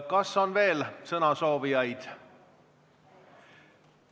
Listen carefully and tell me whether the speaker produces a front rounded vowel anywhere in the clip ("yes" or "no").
no